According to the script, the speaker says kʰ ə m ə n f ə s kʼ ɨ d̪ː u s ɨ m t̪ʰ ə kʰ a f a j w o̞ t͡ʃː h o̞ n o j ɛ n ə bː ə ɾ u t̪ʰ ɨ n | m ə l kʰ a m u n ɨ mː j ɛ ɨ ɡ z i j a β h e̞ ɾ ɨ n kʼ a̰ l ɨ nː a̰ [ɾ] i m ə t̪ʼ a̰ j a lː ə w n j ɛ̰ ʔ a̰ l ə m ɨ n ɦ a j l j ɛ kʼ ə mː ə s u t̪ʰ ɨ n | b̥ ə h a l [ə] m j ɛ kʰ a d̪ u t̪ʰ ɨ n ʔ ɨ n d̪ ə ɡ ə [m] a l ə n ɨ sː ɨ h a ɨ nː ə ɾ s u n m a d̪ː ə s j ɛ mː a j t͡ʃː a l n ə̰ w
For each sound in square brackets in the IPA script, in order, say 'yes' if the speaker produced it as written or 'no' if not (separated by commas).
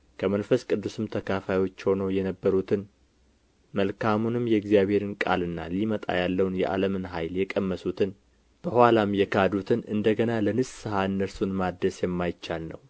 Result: no, no, no